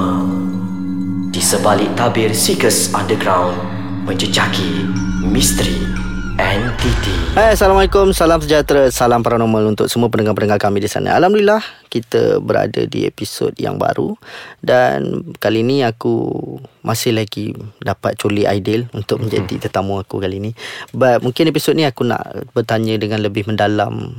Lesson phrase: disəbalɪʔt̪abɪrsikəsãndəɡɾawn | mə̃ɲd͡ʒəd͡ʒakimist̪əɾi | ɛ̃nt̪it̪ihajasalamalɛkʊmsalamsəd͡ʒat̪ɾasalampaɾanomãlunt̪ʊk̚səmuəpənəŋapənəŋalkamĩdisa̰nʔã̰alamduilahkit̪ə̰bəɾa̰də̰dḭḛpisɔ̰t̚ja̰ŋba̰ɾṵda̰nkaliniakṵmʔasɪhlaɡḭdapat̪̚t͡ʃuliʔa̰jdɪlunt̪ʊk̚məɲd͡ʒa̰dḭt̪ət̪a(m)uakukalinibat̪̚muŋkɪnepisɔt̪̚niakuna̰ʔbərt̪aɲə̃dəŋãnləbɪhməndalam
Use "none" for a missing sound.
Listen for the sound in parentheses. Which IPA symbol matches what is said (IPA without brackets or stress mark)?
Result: m